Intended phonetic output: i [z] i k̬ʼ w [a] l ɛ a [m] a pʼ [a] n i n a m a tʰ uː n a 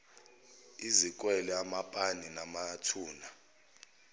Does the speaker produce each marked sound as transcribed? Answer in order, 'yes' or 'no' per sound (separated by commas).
yes, no, yes, yes